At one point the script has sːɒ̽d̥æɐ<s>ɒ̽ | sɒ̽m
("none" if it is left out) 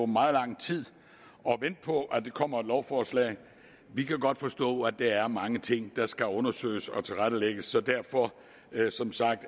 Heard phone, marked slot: f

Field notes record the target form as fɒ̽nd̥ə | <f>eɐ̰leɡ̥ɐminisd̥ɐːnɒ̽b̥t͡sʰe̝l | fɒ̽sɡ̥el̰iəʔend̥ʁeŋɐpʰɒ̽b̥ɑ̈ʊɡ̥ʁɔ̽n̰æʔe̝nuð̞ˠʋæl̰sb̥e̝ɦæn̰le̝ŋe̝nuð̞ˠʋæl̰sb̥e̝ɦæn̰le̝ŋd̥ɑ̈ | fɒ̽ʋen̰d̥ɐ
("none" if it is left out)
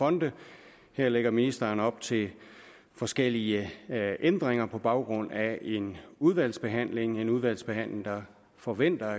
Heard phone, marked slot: h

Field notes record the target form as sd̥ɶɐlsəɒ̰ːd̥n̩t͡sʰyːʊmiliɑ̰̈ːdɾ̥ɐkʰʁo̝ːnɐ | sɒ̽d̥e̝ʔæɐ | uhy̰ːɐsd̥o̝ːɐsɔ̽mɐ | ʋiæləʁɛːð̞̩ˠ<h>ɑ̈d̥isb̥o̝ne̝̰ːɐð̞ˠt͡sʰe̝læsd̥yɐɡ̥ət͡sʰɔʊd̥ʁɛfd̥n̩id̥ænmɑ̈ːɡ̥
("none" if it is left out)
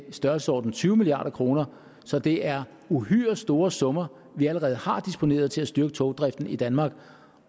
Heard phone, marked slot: h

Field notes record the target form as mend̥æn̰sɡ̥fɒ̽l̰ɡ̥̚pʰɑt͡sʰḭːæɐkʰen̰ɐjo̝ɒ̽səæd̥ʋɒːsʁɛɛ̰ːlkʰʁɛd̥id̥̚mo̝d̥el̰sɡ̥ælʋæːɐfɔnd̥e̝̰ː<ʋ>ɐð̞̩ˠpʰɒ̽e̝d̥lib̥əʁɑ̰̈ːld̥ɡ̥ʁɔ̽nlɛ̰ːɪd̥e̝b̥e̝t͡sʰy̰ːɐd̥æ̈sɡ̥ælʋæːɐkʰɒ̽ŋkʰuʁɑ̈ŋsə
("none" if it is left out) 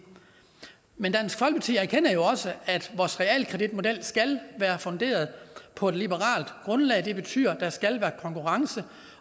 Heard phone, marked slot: none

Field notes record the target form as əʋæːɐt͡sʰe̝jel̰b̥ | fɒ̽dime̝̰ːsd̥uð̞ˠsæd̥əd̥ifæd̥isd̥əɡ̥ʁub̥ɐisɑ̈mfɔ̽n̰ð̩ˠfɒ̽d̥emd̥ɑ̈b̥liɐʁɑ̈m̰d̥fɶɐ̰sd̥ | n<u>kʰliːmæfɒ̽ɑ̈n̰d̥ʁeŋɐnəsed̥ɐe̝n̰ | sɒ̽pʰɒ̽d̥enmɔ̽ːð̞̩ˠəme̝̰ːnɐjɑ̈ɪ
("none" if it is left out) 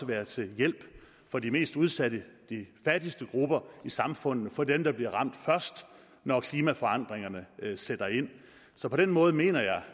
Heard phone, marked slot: ɒ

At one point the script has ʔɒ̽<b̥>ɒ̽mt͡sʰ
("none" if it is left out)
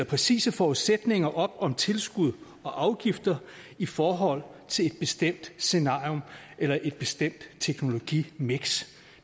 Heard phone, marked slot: b̥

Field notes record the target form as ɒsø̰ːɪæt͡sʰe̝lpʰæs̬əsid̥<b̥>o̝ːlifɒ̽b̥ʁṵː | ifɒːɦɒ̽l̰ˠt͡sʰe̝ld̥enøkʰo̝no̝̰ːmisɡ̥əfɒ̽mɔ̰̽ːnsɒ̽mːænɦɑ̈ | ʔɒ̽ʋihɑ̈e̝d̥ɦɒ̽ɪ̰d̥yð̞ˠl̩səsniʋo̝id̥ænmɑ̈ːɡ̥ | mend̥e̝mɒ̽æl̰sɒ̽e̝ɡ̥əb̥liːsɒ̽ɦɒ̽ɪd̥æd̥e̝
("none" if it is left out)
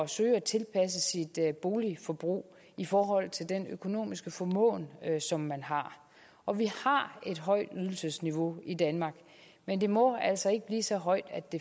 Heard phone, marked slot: b̥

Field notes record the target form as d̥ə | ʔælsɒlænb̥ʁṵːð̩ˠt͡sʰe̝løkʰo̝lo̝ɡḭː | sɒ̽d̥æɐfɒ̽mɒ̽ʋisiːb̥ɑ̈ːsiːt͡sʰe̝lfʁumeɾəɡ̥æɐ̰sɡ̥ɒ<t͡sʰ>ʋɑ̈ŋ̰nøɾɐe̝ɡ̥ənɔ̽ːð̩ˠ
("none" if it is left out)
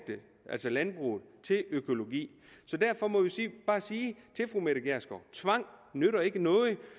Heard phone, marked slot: t͡sʰ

